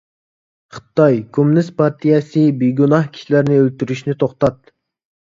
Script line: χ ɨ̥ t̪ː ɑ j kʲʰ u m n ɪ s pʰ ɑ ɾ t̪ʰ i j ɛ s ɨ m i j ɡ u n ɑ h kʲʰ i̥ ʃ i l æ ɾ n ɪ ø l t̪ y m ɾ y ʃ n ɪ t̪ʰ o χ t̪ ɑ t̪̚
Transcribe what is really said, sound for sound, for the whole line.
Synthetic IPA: χ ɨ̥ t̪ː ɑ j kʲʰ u m n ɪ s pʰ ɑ ɾ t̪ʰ i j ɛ s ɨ b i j ɡ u n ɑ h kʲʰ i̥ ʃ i l æ ɾ n ɪ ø l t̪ y ɾ y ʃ n ɪ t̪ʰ o χ t̪ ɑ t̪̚